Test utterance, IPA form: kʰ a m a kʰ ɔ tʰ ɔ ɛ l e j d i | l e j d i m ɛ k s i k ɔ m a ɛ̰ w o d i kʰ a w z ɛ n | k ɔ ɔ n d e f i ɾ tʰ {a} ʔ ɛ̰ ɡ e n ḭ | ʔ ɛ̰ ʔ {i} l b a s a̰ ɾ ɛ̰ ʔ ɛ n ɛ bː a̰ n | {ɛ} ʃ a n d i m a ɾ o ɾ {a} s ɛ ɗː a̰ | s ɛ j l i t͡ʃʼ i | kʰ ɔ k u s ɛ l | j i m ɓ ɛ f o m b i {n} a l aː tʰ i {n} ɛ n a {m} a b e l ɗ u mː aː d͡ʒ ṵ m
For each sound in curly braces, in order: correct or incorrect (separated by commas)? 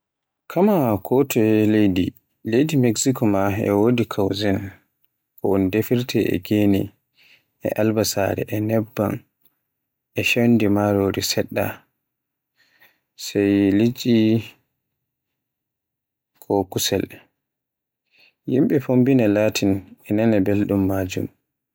incorrect, incorrect, correct, incorrect, correct, correct, incorrect